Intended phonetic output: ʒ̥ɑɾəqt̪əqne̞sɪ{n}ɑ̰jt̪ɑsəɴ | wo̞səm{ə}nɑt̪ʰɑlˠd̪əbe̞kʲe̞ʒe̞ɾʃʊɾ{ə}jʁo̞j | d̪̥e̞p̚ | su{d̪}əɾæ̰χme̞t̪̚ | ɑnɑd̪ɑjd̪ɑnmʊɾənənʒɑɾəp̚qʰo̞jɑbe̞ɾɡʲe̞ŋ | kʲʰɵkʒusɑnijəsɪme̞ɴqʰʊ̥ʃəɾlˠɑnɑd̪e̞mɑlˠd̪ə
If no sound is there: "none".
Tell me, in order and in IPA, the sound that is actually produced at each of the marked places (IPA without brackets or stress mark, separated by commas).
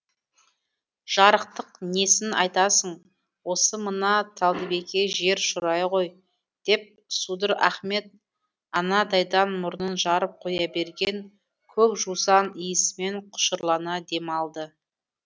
n, ə, ɑ, d̪